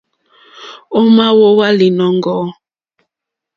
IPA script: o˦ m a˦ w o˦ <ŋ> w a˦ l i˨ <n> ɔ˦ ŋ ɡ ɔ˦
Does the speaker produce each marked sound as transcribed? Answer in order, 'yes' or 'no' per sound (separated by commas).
no, yes